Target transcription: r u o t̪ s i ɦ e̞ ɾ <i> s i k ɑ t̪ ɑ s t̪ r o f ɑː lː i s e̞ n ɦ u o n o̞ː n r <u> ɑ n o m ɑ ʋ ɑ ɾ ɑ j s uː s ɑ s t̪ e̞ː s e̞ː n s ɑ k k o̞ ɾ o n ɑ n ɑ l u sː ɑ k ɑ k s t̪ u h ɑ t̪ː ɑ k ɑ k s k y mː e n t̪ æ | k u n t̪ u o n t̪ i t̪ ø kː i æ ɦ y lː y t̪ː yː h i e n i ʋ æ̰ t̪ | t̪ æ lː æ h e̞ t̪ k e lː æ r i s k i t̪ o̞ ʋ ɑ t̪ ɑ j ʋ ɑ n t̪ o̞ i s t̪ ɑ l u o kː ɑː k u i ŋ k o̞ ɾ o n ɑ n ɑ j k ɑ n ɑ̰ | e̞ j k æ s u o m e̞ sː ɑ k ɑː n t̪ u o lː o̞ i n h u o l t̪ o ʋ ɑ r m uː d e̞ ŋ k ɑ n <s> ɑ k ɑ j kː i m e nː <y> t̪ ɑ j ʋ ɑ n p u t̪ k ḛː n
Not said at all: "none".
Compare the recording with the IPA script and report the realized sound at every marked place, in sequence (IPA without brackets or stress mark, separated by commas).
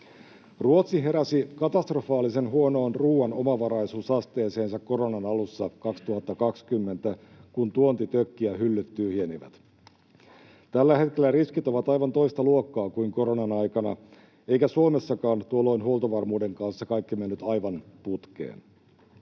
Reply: æ, uː, sː, y